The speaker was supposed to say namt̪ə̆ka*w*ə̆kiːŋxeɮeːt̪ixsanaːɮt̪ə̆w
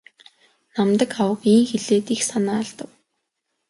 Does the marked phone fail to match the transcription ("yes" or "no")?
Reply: no